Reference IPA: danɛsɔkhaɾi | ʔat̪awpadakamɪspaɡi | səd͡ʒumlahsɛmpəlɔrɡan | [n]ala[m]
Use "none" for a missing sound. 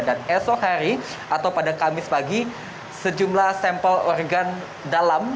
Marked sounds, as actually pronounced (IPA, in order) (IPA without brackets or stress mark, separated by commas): d, m